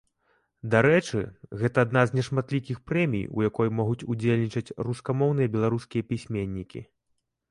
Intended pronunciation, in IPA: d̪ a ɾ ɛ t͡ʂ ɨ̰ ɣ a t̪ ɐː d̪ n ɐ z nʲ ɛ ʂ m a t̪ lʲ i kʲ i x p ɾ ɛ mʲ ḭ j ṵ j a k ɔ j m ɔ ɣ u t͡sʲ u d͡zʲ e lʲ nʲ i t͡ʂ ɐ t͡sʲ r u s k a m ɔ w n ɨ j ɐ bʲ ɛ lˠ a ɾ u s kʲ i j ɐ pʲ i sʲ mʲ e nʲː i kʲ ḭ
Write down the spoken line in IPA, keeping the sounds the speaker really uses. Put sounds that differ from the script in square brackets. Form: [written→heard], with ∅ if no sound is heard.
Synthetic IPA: d̪ a ɾ ɛ t͡ʂ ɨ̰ ɣ [a→ɛ] t̪ ɐː d̪ n [ɐ→a] z nʲ ɛ ʂ m a t̪ lʲ i kʲ i x p ɾ ɛ mʲ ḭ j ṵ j a k ɔ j m ɔ ɣ u t͡sʲ u d͡zʲ e lʲ nʲ i t͡ʂ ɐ t͡sʲ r u s k a m ɔ w n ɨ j ɐ bʲ ɛ lˠ a ɾ u s kʲ i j ɐ pʲ i sʲ mʲ e nʲː i kʲ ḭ